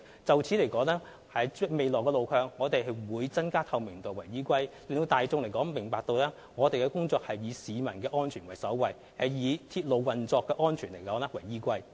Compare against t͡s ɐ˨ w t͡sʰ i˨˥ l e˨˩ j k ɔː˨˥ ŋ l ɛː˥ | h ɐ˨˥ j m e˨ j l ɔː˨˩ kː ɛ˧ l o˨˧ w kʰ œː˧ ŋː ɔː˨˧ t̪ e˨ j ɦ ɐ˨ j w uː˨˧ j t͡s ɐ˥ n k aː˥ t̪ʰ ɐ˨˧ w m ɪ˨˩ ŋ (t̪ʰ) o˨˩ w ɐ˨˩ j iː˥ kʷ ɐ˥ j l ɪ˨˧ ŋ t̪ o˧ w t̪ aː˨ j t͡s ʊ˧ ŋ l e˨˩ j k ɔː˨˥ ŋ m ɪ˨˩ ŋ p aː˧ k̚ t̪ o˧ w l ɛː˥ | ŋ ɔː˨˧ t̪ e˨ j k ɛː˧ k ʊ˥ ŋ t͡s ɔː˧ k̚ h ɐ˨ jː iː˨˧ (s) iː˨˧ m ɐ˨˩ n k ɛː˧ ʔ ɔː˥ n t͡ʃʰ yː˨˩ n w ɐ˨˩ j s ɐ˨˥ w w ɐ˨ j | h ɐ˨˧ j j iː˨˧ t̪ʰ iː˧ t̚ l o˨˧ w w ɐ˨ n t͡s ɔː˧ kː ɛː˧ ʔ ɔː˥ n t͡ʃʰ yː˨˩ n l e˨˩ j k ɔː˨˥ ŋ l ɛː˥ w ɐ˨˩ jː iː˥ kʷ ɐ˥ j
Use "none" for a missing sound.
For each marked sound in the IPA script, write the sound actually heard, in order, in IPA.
t̪, s

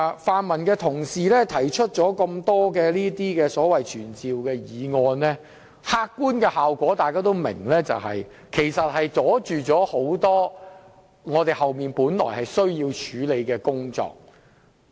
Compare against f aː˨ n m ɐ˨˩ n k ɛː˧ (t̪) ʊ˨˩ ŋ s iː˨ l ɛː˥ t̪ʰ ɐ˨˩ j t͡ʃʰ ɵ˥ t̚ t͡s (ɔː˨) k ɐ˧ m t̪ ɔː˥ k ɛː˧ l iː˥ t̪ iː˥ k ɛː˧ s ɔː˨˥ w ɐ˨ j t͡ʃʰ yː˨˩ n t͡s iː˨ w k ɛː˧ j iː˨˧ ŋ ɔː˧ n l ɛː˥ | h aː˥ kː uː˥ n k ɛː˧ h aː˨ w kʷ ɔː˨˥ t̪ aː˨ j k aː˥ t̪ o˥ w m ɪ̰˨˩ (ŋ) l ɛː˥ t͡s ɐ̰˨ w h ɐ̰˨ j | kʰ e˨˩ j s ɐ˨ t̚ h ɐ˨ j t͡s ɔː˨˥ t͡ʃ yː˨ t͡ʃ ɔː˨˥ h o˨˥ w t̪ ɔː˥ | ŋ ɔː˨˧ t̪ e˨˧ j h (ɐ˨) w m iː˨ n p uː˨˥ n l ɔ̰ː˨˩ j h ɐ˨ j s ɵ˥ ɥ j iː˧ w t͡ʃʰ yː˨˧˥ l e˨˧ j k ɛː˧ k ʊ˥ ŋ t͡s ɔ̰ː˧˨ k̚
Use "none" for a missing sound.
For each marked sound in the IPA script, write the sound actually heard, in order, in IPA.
t̪ʰ, ɔː˨˥, ŋ, ɐ˨

